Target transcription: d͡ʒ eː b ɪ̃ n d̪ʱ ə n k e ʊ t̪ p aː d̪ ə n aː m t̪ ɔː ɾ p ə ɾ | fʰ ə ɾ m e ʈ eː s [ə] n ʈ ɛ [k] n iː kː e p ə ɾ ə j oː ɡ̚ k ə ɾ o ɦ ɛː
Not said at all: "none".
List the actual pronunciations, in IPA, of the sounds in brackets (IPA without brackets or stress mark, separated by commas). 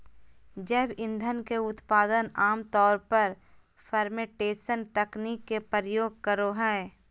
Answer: ə, k